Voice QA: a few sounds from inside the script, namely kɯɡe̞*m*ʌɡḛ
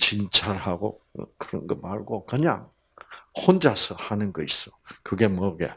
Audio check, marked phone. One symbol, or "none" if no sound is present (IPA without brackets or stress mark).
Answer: m